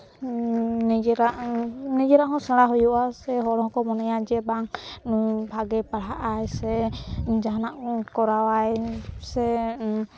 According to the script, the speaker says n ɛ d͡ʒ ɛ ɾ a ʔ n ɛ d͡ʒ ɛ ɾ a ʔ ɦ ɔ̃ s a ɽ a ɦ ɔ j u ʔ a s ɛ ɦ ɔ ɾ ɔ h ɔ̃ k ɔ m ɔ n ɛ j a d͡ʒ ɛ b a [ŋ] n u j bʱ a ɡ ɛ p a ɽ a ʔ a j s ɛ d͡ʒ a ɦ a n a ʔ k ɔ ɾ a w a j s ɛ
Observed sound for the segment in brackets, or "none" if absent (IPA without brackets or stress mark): ŋ